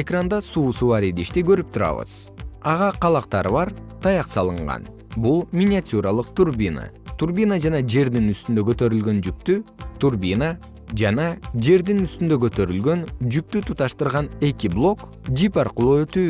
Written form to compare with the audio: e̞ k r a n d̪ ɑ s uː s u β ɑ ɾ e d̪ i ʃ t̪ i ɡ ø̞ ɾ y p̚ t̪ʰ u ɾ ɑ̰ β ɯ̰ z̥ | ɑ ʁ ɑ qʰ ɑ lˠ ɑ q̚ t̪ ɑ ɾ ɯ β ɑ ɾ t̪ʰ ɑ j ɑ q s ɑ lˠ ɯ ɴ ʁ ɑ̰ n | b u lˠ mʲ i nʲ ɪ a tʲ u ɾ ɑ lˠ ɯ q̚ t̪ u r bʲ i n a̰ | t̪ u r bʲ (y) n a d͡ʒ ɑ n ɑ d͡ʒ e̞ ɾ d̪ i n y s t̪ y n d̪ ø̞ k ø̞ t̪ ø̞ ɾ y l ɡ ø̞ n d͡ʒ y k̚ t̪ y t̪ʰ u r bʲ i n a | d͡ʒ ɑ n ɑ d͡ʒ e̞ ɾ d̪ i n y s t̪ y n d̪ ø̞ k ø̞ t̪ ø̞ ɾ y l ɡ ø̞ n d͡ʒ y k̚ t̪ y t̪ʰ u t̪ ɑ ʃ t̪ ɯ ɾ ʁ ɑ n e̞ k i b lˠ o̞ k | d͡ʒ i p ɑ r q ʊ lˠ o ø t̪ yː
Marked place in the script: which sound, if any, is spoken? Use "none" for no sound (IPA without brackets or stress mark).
i